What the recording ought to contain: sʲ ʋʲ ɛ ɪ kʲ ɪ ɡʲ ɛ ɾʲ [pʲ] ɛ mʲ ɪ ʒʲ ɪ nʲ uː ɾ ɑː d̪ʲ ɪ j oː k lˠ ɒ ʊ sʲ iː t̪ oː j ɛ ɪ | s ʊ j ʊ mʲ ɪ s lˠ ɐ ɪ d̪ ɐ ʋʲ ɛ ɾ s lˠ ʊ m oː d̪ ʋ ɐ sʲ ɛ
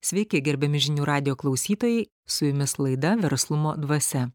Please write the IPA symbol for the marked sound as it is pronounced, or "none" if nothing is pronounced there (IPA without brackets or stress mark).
bʲ